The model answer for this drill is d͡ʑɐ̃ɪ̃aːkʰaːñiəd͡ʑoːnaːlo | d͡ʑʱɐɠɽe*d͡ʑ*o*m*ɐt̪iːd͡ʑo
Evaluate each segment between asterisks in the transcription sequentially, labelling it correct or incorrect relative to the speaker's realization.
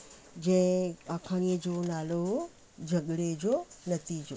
correct, incorrect: n

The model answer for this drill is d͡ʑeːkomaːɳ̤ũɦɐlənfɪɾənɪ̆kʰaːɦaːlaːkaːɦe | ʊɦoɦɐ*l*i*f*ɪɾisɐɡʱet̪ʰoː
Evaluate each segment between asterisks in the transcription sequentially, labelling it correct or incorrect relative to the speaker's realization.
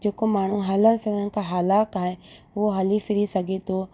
correct, correct

